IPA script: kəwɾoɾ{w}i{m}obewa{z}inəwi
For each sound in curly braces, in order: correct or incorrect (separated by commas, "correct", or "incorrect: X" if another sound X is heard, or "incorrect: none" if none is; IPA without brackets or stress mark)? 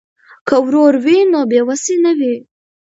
correct, incorrect: n, incorrect: s